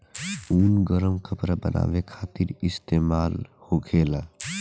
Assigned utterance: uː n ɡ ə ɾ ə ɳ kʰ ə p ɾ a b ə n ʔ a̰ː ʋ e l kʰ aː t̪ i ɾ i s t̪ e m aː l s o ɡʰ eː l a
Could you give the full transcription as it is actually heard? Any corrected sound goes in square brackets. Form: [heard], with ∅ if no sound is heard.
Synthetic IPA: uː n ɡ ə ɾ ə [m] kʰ ə p ɾ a b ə n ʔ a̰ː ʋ e [∅] kʰ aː t̪ i ɾ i s t̪ e m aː l [h] o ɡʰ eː l a